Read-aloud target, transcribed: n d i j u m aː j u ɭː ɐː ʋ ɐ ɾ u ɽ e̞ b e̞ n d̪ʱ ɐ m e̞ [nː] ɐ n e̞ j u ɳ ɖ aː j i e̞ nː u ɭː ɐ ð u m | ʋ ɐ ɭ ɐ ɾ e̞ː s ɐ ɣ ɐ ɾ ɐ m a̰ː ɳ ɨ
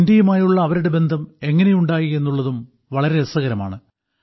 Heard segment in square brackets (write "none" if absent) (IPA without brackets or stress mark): ŋː